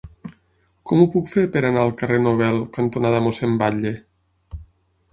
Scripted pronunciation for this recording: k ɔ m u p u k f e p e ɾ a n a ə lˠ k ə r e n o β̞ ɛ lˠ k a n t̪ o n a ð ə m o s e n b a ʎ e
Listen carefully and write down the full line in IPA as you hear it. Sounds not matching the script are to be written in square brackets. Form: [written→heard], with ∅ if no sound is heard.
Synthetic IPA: k ɔ m u p u k f e p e ɾ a n a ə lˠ k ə r e n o β̞ ɛ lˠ k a n t̪ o n a ð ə m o s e [n→m] b a ʎ e